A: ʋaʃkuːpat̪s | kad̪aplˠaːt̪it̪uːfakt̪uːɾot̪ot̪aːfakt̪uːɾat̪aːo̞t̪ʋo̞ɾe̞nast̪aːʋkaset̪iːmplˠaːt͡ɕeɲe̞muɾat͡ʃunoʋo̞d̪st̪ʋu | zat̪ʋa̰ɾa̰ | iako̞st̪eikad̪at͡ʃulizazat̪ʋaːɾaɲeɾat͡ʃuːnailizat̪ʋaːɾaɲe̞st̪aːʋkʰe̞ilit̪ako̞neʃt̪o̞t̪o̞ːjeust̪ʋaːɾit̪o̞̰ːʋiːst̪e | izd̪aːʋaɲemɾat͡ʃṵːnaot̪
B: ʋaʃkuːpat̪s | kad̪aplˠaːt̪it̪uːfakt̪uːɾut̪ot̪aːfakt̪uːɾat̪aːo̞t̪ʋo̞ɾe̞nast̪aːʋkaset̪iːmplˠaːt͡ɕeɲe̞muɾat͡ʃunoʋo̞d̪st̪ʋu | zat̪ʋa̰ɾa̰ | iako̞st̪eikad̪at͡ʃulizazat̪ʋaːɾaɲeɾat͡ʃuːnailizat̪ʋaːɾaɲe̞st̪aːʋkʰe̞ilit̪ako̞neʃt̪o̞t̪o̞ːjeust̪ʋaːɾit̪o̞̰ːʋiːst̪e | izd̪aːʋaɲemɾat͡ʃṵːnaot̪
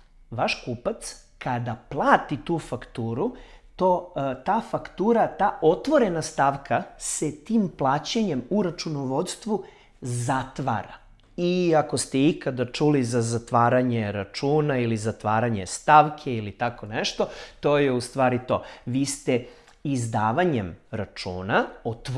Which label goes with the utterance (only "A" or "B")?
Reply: B